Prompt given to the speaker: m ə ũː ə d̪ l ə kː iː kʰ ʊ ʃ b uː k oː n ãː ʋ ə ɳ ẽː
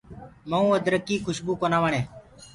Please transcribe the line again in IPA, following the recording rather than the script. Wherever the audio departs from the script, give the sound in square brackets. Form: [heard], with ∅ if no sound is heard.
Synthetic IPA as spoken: m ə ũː ə d̪ [ɾ] ə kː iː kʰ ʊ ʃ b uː k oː n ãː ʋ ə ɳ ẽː